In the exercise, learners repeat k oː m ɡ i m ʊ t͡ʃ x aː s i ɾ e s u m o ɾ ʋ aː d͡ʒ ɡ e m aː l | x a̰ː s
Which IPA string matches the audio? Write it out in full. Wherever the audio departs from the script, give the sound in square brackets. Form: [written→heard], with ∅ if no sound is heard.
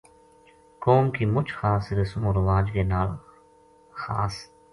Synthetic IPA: k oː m [ɡ→k] i m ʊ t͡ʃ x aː s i ɾ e s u m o ɾ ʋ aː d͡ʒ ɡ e [m→n] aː l | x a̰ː s